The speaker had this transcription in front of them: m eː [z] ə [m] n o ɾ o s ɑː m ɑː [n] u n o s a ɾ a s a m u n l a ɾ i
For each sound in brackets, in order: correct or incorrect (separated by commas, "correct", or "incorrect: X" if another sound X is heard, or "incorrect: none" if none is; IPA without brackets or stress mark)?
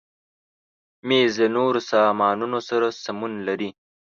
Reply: correct, incorrect: none, correct